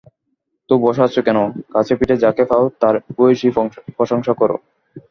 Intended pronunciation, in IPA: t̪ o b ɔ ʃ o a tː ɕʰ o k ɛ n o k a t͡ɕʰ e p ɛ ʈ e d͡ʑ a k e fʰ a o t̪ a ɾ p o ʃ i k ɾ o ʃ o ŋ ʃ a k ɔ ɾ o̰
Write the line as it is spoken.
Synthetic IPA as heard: t̪ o b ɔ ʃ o a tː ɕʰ o k ɛ n o k a t͡ɕʰ e p i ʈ e d͡ʑ a k e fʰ a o t̪ a ɾ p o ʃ i p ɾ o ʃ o ŋ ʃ a k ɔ ɾ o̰